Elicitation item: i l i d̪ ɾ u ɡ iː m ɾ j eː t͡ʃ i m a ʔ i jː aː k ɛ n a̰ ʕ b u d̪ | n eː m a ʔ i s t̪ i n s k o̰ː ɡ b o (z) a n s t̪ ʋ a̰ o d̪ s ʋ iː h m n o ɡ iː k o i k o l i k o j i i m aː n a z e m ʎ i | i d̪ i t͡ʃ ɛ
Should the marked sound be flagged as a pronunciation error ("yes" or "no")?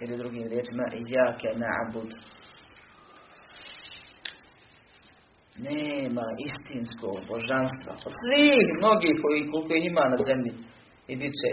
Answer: yes